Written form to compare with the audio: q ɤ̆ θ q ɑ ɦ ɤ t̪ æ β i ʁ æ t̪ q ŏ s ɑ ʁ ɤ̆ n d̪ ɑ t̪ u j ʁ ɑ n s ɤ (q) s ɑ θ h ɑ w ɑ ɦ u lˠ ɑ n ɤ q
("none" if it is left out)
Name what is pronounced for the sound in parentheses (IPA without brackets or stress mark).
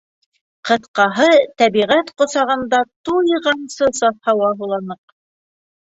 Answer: none